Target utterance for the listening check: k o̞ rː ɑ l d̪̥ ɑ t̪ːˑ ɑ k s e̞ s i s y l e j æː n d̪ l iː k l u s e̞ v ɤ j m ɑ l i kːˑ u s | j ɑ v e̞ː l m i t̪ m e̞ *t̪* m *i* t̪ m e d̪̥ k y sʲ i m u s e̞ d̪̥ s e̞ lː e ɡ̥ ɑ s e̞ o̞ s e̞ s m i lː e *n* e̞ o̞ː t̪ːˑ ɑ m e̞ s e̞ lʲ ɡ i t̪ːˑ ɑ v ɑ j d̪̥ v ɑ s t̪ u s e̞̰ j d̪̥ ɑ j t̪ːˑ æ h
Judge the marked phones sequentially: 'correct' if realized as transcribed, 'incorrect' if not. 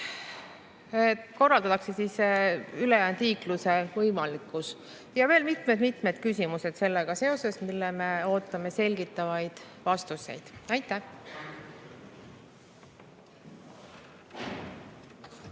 incorrect: d̪, correct, incorrect: m

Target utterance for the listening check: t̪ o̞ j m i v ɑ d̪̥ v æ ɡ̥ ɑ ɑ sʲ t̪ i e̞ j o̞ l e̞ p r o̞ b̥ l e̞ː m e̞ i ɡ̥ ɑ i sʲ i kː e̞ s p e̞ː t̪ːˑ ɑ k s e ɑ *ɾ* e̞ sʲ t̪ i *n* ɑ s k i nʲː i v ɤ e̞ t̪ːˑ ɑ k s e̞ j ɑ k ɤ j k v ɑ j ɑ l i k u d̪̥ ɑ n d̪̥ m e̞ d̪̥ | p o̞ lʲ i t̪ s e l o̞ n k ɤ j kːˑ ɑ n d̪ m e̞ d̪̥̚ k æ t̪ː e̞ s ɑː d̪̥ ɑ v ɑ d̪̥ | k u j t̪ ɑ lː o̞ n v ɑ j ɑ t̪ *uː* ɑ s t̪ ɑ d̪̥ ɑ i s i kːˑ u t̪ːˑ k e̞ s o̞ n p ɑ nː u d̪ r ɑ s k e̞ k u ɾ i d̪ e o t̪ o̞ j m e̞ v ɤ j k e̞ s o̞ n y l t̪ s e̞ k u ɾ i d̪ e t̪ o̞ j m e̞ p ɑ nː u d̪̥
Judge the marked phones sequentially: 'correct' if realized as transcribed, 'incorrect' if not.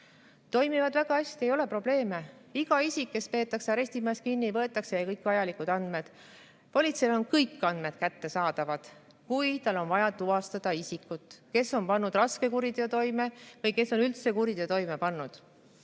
correct, incorrect: m, incorrect: u

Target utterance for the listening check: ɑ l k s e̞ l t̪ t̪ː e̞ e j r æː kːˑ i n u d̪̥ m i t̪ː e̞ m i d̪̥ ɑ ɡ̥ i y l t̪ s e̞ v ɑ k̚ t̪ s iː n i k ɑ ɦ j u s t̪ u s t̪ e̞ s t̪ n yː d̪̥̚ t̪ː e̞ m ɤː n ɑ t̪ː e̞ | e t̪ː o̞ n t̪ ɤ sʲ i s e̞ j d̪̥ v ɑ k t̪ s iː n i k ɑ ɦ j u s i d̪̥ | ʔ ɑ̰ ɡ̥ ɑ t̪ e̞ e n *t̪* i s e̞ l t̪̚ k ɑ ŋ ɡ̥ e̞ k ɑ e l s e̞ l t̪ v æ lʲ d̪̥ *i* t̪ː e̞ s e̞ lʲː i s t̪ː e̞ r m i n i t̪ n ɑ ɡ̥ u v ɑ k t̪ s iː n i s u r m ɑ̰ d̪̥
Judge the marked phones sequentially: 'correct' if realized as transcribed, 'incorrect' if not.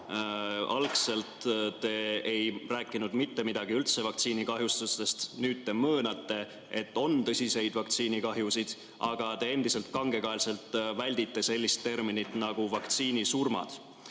incorrect: d̪, correct

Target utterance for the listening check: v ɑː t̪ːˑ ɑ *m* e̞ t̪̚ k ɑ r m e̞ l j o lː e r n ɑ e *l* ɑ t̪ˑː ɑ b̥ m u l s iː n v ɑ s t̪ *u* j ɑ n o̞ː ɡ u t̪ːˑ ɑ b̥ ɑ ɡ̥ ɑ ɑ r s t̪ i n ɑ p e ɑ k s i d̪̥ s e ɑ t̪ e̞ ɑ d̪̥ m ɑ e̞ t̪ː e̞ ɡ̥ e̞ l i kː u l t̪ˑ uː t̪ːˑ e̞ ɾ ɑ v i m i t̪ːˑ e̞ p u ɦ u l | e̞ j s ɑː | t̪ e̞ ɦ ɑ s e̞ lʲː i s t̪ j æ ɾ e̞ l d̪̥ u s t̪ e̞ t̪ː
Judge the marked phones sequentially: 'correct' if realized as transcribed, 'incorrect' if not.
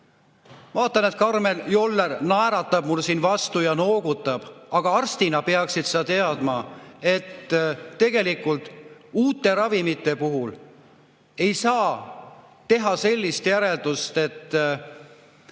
incorrect: n, incorrect: ɾ, correct

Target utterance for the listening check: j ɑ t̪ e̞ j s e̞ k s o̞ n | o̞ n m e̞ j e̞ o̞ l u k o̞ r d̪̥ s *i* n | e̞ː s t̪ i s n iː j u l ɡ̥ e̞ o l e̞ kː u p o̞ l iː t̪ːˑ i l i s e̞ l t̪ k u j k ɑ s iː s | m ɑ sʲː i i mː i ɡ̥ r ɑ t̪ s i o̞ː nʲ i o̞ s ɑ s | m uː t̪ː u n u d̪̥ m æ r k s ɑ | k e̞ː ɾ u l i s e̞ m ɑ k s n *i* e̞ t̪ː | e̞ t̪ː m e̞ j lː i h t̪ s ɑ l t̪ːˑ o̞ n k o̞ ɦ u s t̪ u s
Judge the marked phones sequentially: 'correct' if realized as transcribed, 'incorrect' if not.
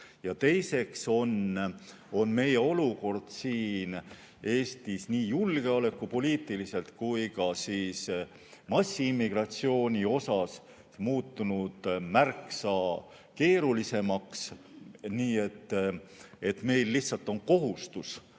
incorrect: iː, incorrect: iː

